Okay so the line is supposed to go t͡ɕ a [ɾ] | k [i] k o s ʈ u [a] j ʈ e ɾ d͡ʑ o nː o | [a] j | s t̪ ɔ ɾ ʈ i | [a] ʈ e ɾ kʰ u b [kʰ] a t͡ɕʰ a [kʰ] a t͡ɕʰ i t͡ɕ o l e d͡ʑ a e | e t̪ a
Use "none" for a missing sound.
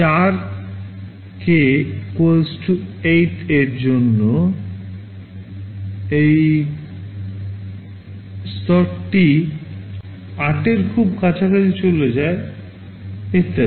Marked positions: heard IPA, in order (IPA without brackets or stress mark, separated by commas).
ɾ, e, e, e, a, k, k